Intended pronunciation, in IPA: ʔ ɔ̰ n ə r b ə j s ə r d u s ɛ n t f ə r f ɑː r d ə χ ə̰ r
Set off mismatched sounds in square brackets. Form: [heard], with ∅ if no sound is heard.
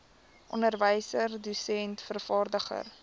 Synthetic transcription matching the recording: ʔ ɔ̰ n ə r [v] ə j s ə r d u s ɛ n t f ə r f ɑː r d ə χ ə̰ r